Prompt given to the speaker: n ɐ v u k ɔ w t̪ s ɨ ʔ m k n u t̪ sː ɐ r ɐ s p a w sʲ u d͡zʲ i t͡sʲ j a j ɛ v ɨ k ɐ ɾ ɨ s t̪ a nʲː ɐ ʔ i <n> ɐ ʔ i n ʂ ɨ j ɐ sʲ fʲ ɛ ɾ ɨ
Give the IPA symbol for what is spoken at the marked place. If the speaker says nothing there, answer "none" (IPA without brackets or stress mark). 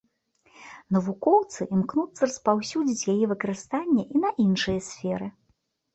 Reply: n